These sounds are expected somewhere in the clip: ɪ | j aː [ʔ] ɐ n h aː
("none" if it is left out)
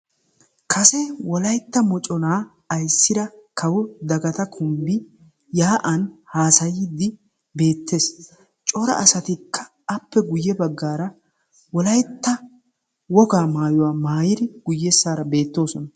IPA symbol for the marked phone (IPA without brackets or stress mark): ʔ